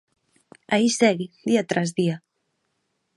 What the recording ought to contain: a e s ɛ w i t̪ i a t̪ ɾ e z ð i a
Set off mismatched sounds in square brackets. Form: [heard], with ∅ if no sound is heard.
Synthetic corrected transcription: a [i] s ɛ [ɣ] i [d̪] i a t̪ ɾ [a] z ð i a